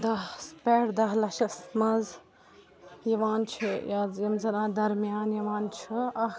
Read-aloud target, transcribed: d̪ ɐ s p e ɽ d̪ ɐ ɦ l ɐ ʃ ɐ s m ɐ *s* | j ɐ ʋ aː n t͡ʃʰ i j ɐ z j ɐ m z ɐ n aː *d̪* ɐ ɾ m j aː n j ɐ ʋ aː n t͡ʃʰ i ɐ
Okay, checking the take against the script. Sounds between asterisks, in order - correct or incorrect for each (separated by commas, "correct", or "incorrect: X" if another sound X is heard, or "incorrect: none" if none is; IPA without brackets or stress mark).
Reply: incorrect: z, correct